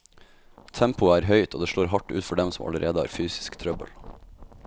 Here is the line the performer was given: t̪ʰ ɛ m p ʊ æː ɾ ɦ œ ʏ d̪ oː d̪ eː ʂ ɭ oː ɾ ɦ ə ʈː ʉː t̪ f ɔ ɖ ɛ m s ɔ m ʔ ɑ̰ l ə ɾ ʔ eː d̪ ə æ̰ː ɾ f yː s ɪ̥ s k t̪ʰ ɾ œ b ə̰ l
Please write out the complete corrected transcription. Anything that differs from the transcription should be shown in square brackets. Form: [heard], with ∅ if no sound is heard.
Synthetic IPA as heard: t̪ʰ ɛ m p ʊ æː ɾ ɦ œ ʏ [t̪] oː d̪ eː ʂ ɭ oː ɾ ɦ [ɑ] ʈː ʉː t̪ f ɔ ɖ ɛ m s ɔ m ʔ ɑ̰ l ə ɾ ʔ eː d̪ ə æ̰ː ɾ f yː s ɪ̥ s k t̪ʰ ɾ œ b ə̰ l